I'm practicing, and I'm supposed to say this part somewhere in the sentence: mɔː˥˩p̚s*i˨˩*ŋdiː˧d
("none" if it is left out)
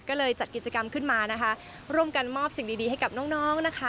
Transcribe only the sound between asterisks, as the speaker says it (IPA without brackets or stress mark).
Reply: i˨˩